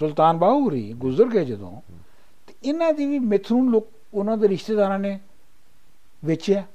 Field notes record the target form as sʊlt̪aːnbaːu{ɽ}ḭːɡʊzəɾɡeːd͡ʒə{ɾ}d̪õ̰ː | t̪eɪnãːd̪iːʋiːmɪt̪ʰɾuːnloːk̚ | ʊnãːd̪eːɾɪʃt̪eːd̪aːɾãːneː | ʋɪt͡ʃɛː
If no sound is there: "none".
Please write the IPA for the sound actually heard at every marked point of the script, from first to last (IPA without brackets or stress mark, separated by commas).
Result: ɾ, none